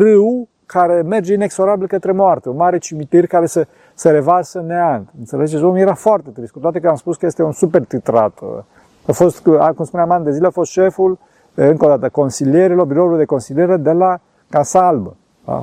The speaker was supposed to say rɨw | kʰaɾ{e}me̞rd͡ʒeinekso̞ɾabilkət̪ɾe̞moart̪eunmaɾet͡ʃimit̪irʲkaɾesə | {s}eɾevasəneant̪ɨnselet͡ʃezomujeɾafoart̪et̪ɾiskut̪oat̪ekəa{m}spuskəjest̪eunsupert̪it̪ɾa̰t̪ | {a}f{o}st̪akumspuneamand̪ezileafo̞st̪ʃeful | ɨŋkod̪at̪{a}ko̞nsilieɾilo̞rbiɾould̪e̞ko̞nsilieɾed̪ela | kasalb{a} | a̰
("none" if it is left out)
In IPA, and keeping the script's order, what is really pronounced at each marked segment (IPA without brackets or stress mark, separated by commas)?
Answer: e, s, m, a, o, ə, ə